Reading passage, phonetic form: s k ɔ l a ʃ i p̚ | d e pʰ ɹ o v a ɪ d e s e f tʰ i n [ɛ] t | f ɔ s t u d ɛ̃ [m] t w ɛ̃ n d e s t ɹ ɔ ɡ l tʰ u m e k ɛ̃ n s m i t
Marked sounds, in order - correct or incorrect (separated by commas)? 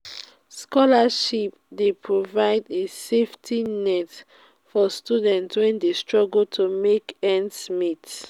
correct, incorrect